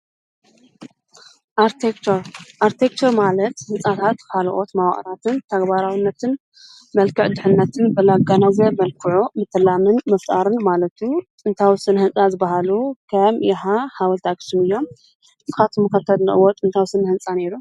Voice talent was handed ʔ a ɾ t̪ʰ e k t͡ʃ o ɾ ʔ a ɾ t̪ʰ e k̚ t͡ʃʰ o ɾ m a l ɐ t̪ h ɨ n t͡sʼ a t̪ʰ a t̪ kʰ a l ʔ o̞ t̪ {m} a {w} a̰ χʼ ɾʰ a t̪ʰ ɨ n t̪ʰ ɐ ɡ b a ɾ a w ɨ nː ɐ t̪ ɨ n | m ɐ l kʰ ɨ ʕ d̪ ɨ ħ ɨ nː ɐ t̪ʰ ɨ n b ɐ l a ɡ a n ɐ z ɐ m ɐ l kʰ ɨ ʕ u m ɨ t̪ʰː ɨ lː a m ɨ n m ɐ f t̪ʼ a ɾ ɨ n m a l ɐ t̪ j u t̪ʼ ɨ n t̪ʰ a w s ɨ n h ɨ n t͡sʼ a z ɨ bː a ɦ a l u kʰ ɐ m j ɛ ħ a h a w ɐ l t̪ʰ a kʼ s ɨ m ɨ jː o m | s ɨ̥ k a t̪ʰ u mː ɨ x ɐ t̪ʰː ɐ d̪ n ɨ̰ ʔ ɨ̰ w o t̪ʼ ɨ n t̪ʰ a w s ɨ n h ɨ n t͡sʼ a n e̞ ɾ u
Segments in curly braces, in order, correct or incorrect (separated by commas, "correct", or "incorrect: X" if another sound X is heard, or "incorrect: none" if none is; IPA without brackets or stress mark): correct, correct